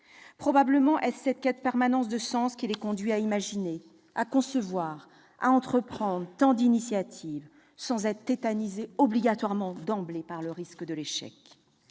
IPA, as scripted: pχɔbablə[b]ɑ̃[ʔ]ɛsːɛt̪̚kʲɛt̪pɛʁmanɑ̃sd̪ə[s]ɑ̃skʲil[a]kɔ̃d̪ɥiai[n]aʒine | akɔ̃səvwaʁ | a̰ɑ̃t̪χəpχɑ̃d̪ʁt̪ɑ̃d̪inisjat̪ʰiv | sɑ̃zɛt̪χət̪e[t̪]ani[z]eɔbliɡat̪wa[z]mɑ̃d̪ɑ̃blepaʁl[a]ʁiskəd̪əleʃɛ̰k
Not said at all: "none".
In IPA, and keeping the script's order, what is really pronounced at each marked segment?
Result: m, ʔ, s, ɛ, m, t̪, z, ʁ, ə

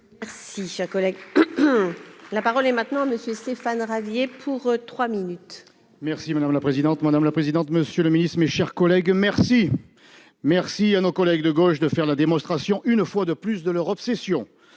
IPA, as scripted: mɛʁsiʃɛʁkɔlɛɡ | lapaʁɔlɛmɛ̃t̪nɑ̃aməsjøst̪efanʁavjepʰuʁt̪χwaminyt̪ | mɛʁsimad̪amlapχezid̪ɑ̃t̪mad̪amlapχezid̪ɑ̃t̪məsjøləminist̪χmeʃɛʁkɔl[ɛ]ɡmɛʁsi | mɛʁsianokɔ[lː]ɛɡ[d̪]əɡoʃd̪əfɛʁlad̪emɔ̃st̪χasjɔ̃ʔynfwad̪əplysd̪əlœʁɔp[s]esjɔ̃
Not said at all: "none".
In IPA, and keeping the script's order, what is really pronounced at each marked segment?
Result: ɛ, l, d̪, s

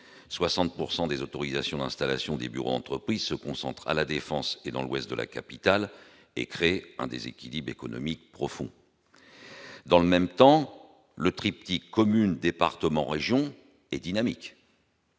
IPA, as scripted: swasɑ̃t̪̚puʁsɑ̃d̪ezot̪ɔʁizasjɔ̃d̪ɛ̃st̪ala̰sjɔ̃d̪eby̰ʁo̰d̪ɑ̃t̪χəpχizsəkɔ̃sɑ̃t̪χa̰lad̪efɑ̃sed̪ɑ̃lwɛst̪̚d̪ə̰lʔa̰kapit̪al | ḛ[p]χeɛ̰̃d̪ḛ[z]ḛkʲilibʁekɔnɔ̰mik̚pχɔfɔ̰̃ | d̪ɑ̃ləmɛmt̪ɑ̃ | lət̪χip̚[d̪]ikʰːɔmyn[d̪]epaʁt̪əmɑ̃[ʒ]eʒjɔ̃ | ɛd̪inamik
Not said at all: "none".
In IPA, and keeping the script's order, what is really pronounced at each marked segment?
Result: k, z, t̪, d̪, ʁ

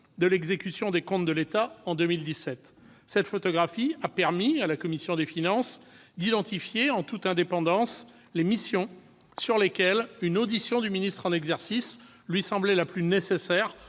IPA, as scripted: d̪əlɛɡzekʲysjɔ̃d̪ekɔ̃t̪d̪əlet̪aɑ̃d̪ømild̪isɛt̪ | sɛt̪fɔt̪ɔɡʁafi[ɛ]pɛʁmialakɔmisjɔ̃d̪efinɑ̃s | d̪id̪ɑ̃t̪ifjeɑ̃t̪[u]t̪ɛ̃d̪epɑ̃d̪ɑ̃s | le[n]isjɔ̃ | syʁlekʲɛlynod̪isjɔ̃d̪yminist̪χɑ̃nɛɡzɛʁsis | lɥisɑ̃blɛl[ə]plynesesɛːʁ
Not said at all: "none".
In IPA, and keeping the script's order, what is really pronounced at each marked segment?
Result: a, u, m, a

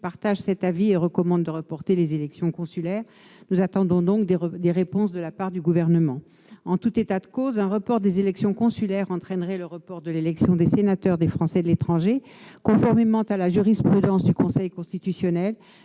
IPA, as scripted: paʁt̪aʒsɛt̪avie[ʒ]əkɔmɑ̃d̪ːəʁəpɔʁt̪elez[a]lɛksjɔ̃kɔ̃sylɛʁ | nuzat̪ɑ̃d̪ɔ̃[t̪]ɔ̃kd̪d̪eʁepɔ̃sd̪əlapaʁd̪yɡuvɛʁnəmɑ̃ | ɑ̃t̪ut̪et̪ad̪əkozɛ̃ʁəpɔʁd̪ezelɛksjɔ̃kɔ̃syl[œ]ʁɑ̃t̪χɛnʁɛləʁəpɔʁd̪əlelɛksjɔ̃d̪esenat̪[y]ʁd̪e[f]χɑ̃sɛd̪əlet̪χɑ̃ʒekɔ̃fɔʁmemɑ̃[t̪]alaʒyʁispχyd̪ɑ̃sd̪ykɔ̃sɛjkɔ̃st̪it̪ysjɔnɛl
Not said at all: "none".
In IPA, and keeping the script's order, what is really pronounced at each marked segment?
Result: ʁ, e, d̪, ɛ, œ, f, t̪

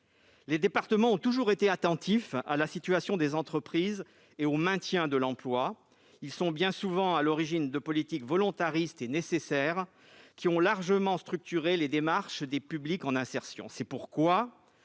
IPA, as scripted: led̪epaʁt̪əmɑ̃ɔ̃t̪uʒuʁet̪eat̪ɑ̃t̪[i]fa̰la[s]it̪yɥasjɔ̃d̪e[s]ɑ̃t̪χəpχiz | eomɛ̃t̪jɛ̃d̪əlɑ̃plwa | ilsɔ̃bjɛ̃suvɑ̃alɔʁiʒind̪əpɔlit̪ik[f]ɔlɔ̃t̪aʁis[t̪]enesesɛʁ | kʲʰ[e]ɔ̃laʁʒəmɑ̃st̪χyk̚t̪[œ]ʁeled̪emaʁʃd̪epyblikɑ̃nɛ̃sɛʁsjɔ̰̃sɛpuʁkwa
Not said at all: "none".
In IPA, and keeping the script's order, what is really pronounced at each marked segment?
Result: i, s, z, v, t̪, i, y

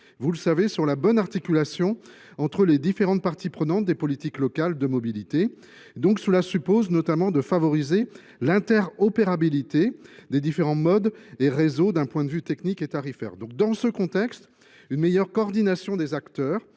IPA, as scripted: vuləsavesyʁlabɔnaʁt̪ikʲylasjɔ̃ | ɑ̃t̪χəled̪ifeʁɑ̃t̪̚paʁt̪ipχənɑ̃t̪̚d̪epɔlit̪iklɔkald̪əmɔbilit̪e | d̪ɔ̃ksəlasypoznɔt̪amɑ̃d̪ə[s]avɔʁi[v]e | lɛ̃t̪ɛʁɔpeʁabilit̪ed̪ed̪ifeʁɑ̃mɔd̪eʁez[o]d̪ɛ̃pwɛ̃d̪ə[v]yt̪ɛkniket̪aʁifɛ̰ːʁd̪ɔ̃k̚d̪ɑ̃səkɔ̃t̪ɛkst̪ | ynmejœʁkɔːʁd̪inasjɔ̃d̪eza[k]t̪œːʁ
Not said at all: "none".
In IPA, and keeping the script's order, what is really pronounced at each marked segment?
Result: f, z, o, v, k

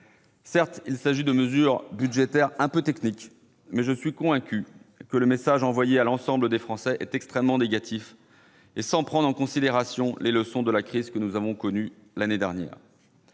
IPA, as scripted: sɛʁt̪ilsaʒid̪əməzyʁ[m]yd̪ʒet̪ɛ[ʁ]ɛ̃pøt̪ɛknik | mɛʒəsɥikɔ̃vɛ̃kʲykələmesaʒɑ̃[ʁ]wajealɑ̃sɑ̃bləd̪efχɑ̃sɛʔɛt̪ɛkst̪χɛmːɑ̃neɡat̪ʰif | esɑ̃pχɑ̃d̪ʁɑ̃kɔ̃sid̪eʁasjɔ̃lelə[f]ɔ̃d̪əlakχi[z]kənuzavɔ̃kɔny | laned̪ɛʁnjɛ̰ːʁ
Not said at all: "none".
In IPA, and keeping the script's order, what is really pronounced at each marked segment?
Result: b, ʁ, v, s, z

